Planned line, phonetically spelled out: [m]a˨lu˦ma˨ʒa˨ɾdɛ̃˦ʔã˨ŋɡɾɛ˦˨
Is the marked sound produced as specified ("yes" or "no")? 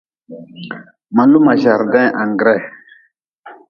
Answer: yes